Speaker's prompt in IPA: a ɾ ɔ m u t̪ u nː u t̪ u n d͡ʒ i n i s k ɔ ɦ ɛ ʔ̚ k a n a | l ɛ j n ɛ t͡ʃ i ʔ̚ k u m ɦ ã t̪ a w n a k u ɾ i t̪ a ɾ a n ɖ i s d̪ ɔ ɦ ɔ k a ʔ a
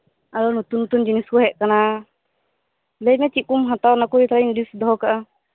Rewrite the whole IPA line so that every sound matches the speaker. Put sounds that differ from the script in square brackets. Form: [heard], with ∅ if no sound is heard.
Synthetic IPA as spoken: a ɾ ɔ [n] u t̪ u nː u t̪ u n d͡ʒ i n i s k ɔ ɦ ɛ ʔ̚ k a n a | l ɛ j [m] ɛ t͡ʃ i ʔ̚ k u m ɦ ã t̪ a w n a k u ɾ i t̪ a ɾ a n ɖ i s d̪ ɔ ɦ ɔ k a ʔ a